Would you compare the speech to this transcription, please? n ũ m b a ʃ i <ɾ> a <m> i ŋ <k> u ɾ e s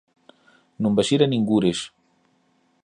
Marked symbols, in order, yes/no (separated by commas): yes, no, no